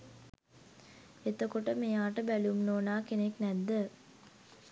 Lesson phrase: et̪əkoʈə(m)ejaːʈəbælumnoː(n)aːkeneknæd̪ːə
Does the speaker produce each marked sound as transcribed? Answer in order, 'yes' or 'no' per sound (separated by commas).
yes, yes